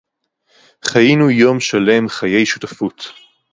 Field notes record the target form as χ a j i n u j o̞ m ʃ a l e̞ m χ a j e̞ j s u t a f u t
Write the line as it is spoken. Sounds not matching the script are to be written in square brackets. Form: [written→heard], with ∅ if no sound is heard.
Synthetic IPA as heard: χ a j i n u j o̞ m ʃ a l e̞ m χ a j e̞ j [s→ʃ] u t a f u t

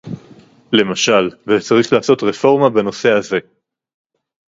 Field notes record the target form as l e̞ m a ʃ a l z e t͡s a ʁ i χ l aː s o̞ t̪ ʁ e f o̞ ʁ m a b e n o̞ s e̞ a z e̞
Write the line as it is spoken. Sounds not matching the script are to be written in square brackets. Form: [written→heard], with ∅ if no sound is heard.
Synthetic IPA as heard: l e̞ m a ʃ a l [z→v] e t͡s a ʁ i χ l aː s o̞ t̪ ʁ e f o̞ ʁ m a b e n o̞ s e̞ a z e̞

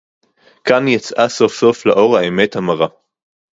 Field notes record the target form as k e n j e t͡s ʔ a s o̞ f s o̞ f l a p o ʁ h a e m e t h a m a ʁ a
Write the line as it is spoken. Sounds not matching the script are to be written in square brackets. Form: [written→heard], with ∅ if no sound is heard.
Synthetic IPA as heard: k [e→a] n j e t͡s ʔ a s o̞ f s o̞ f l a [p→ʔ] o ʁ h a e m e t h a m a ʁ a

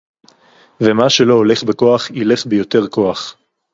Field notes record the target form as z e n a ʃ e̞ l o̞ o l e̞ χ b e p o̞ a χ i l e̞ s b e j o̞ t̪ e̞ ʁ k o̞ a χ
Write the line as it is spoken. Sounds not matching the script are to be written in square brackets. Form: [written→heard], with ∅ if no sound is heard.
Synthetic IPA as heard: [z→v] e [n→m] a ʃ e̞ l o̞ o l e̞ χ b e [p→k] o̞ a χ i l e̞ [s→χ] b e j o̞ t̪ e̞ ʁ k o̞ a χ

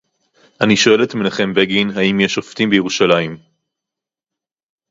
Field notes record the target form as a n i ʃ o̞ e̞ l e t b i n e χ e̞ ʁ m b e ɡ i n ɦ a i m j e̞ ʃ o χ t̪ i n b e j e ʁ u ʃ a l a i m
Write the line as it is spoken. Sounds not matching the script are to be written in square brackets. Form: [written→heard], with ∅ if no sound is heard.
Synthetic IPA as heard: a n i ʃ o̞ e̞ l e t [b→m] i n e χ e̞ [ʁ→∅] m b e ɡ i n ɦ a i m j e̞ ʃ o [χ→f] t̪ i [n→m] b e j e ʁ u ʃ a l a i m

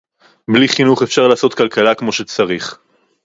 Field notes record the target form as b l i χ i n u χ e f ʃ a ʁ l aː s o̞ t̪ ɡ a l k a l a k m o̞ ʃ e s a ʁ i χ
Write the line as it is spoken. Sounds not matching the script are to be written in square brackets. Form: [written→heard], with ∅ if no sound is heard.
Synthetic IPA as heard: b l i χ i n u χ e f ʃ a ʁ l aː s o̞ t̪ [ɡ→k] a l k a l a k m o̞ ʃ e [s→t͡s] a ʁ i χ

